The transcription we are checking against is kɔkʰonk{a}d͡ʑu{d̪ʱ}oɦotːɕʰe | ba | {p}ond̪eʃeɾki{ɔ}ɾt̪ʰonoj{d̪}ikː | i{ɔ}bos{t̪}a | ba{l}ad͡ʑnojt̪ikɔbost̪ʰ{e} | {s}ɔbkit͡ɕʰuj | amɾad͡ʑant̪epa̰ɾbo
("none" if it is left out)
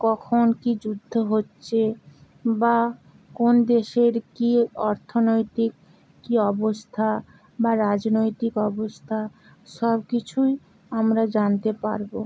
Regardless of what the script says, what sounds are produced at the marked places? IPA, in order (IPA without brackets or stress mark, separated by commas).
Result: i, d̪ʱː, k, ɔ, t̪, ɔ, t̪ʰ, ɾ, a, ʃ